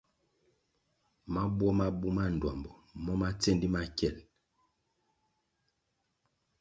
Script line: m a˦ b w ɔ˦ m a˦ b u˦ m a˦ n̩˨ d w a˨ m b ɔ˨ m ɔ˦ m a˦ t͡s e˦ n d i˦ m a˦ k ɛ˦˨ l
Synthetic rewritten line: m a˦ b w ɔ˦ m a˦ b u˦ m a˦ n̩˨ d w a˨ m b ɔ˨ m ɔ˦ m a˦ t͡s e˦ n d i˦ m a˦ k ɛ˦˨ l